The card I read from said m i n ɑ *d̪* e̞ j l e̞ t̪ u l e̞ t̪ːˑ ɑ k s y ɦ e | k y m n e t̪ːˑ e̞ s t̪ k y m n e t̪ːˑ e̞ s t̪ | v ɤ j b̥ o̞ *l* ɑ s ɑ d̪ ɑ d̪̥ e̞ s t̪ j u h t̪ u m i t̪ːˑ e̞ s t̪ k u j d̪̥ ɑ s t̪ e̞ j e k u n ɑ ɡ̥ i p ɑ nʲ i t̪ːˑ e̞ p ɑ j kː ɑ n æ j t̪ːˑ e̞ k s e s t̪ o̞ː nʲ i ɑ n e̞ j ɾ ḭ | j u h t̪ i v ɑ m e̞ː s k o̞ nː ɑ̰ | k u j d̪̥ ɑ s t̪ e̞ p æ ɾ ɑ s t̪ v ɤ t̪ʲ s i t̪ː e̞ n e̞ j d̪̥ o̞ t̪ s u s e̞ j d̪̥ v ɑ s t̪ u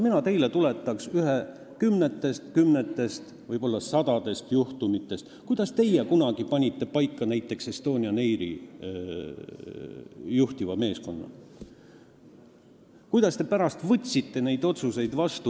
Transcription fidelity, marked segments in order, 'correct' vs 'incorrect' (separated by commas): incorrect, incorrect